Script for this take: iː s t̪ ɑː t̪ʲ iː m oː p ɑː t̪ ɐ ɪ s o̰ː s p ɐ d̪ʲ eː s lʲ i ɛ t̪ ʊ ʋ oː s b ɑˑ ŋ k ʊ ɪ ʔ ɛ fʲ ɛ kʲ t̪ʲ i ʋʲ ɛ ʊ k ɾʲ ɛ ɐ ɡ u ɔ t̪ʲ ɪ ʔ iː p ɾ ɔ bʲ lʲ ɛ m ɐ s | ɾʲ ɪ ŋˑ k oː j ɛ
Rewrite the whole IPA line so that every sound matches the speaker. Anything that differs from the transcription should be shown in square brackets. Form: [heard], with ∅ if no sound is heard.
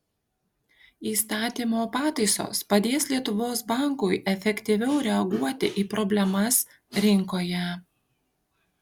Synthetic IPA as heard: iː s t̪ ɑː t̪ʲ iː m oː p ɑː t̪ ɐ ɪ s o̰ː s p ɐ d̪ʲ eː s lʲ i ɛ t̪ ʊ ʋ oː s b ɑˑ ŋ k ʊ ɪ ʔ ɛ fʲ ɛ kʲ t̪ʲ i ʋʲ ɛ ʊ [∅] ɾʲ ɛ ɐ ɡ u ɔ t̪ʲ ɪ ʔ iː p ɾ ɔ bʲ lʲ ɛ m ɐ s | ɾʲ ɪ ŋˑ k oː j ɛ